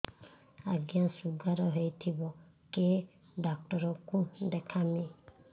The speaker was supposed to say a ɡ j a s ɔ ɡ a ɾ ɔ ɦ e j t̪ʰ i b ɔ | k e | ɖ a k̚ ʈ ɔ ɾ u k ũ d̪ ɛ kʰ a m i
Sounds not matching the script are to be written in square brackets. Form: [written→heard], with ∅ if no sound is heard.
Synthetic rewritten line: a ɡ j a s [ɔ→u] ɡ a ɾ ɔ ɦ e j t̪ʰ i b ɔ | k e | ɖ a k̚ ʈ ɔ ɾ [u→ɔ] k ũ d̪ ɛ kʰ a m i